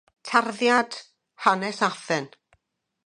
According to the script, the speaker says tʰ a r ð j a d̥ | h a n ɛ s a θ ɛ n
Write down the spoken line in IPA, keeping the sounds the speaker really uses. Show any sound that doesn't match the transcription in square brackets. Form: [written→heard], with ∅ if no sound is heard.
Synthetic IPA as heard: tʰ a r ð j a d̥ | h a n ɛ s a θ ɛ n